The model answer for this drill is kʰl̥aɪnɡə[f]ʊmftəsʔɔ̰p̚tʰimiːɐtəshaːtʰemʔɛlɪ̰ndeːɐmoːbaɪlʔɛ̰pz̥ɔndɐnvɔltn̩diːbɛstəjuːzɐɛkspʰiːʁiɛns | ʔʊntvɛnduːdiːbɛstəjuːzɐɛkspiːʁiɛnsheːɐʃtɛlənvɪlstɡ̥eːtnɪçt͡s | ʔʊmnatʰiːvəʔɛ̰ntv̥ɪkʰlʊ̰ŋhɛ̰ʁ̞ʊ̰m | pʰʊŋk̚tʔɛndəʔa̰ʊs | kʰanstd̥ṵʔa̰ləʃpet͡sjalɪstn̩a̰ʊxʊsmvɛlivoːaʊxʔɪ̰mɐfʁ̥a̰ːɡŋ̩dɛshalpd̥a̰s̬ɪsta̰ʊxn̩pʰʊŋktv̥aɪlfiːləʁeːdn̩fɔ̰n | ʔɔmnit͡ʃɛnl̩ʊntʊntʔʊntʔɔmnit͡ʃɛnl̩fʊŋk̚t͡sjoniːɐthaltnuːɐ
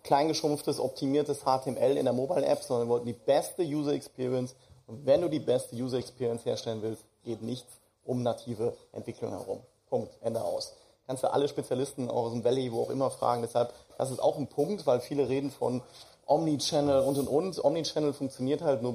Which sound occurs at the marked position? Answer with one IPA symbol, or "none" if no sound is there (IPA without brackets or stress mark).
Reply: ʃ